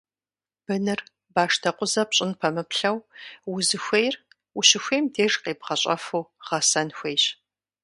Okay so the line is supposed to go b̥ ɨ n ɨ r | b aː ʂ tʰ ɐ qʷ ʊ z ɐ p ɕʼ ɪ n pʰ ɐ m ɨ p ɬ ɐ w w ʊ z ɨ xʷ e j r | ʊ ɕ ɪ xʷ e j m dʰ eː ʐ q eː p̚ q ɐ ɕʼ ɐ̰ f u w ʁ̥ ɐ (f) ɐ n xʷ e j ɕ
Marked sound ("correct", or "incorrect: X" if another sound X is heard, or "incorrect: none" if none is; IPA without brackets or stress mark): incorrect: s